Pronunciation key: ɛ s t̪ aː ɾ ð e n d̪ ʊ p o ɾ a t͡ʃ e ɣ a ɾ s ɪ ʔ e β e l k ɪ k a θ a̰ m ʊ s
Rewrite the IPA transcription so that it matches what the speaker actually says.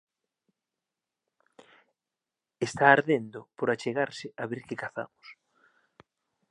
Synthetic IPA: e s t̪ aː ɾ ð e n d̪ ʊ p o ɾ a t͡ʃ e ɣ a ɾ s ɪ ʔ a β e ɾ k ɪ k a θ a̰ m ʊ s